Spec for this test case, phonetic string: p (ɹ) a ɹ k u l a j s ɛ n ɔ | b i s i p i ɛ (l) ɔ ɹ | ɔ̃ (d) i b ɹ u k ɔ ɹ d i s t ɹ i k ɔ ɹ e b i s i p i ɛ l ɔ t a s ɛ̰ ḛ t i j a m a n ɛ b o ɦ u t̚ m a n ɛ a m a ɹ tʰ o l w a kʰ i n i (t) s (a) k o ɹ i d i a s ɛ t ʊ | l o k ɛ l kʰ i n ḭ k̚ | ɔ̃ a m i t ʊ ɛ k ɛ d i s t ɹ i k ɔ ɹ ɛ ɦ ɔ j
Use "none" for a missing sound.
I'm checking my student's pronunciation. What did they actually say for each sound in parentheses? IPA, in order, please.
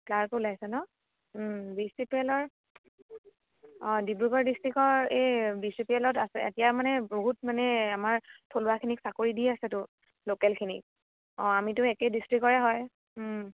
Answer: l, l, d, k, a

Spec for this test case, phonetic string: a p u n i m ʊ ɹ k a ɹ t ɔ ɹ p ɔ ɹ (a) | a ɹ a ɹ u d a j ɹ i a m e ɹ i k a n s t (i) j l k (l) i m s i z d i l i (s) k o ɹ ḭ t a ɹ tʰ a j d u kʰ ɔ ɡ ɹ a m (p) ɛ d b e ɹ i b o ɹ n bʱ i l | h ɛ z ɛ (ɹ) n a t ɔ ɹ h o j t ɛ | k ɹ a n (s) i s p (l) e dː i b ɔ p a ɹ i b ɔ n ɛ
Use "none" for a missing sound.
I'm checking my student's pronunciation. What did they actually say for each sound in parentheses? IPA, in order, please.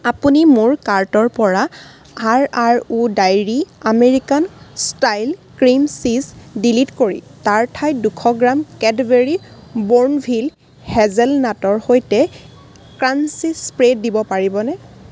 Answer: a, a, ɹ, t, k, l, s, ɹ

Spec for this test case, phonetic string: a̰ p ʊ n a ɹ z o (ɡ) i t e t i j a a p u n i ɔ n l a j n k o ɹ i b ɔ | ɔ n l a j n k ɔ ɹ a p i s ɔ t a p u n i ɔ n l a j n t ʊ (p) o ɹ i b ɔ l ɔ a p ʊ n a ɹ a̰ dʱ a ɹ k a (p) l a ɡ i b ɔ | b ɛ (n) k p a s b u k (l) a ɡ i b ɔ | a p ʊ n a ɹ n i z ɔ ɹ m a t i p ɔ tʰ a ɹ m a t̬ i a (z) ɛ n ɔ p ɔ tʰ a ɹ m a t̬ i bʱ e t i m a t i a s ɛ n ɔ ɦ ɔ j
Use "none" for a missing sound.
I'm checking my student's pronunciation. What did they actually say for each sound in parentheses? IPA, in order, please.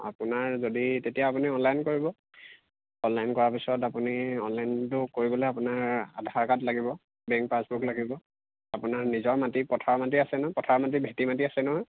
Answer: d, k, t, ŋ, l, s

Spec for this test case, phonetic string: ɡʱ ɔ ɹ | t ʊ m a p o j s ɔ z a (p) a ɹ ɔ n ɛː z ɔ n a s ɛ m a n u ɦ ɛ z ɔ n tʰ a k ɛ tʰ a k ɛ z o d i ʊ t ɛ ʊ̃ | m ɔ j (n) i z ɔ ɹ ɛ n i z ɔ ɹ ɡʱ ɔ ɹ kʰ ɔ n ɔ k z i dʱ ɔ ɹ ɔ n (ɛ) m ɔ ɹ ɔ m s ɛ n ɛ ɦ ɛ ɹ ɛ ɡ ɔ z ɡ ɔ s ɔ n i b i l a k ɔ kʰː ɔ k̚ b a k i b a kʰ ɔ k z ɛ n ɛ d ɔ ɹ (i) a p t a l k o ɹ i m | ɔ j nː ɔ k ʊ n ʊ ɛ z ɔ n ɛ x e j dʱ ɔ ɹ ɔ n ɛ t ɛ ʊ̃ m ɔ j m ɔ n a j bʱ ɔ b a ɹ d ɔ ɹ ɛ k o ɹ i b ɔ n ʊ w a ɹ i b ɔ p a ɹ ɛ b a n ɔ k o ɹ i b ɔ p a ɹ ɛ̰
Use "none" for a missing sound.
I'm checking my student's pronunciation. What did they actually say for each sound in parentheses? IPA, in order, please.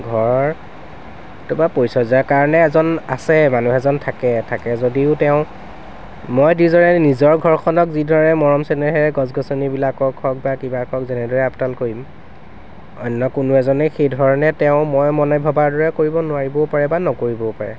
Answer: k, d, ɛ, ɛ

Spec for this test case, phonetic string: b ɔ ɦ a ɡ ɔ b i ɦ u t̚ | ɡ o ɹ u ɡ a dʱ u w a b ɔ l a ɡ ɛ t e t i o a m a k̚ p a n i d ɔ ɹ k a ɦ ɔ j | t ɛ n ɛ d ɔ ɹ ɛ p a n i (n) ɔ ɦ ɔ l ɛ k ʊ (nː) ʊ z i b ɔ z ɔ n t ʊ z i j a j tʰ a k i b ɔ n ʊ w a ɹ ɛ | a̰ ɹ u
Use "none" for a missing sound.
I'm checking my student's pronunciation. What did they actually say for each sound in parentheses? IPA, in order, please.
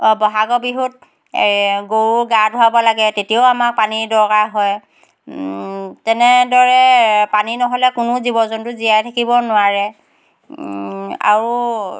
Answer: n, n

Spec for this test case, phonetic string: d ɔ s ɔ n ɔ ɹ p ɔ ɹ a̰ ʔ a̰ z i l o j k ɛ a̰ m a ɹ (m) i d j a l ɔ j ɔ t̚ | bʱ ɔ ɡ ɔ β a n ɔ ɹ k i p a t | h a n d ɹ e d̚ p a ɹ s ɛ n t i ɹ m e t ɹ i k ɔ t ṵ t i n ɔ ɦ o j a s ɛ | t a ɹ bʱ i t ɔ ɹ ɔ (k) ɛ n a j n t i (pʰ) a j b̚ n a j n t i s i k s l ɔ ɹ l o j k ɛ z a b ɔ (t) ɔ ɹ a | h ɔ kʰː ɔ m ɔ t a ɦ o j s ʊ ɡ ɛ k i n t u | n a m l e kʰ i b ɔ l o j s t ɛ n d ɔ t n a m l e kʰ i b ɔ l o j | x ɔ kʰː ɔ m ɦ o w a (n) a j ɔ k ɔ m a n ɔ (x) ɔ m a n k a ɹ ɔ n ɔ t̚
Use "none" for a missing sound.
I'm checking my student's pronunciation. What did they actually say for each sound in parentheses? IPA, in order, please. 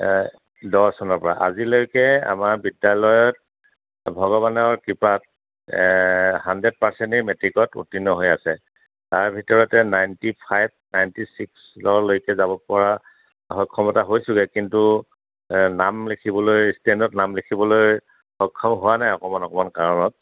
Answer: b, t, pʰ, p, n, k

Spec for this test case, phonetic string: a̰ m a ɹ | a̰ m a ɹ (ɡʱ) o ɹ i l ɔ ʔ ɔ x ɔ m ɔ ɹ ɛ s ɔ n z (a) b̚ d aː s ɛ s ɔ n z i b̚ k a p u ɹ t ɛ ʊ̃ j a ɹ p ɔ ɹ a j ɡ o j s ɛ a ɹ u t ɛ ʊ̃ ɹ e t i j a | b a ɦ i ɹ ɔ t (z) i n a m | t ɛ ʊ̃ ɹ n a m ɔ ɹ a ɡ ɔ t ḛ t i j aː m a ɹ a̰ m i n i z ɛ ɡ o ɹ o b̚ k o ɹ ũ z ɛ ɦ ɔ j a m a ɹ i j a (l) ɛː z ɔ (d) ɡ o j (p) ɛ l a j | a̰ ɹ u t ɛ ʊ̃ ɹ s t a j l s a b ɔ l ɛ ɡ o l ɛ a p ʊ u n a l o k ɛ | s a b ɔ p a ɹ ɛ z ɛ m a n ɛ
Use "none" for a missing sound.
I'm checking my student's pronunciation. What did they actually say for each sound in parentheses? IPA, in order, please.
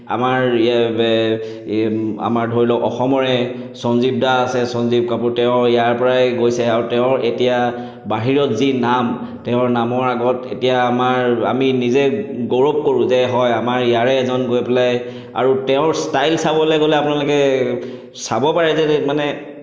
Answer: dʱ, i, z, ɹ, n, p

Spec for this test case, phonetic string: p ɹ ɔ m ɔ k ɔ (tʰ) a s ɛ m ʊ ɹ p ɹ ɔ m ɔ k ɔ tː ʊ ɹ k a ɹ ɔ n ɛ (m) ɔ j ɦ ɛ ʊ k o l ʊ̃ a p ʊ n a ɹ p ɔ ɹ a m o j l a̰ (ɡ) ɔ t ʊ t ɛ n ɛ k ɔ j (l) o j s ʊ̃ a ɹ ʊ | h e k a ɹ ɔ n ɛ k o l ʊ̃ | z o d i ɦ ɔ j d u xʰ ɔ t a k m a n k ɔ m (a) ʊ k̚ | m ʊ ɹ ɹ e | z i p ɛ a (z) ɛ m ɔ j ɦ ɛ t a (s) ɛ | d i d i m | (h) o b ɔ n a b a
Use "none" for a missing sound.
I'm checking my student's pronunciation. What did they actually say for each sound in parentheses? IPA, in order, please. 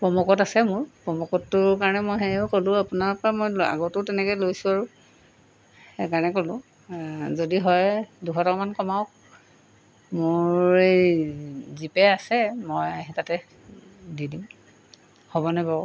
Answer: t, m, ɡ, l, a, s, t, h

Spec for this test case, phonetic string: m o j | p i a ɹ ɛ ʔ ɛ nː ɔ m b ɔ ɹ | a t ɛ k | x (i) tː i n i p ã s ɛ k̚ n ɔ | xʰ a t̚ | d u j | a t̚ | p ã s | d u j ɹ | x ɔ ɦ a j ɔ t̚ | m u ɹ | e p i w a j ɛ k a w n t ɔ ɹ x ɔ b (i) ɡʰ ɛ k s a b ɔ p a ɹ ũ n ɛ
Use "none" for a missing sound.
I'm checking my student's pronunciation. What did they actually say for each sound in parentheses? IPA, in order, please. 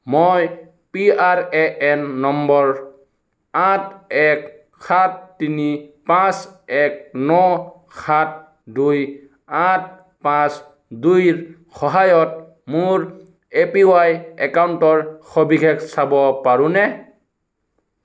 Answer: a, i

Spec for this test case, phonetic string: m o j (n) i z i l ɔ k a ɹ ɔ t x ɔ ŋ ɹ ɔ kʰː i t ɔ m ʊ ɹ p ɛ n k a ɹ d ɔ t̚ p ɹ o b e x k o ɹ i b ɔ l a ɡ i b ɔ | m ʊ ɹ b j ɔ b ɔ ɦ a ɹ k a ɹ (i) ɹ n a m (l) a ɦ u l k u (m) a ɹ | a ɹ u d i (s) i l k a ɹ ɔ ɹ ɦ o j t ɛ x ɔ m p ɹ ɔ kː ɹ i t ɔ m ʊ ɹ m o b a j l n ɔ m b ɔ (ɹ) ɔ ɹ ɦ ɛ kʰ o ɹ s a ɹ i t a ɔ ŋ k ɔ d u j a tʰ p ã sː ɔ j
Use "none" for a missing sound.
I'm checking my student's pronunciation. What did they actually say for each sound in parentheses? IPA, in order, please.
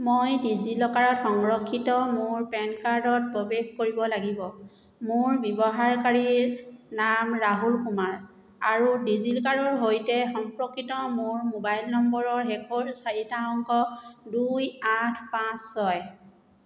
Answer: d, i, ɹ, m, z, ɹ

